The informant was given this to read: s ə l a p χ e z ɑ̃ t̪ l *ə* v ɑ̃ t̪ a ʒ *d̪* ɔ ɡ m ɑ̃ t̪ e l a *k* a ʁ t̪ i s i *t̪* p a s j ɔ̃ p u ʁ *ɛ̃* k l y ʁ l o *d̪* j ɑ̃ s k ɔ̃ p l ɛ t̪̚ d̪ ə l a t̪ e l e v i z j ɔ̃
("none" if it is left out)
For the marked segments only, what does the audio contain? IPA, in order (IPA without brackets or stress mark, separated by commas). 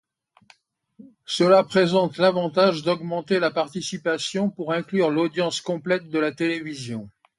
a, d̪, p, none, ɛ̃, d̪